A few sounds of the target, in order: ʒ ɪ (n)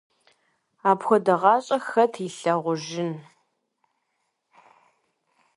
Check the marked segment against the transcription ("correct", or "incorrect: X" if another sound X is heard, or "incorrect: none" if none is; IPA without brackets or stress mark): correct